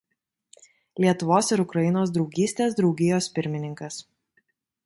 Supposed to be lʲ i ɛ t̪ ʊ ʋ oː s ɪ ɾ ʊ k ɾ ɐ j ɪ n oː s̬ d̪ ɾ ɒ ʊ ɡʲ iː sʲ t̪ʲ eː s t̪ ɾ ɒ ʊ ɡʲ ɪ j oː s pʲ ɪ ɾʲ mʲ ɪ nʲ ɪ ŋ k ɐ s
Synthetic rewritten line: lʲ i ɛ t̪ ʊ ʋ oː s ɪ ɾ ʊ k ɾ ɐ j ɪ n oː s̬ d̪ ɾ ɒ ʊ ɡʲ iː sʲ t̪ʲ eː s d̪ ɾ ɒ ʊ ɡʲ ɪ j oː s pʲ ɪ ɾʲ mʲ ɪ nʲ ɪ ŋ k ɐ s